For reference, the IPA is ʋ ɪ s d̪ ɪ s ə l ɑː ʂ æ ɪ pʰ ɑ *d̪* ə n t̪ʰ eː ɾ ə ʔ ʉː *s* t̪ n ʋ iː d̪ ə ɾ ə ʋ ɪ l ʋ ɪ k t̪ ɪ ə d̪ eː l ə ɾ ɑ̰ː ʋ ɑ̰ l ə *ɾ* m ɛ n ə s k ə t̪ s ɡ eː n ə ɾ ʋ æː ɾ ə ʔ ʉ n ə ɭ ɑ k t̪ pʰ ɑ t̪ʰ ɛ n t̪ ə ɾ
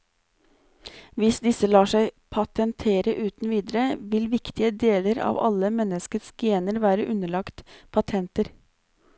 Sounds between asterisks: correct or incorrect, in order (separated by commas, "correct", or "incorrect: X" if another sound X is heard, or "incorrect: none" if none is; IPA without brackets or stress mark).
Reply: incorrect: t̪, incorrect: none, incorrect: none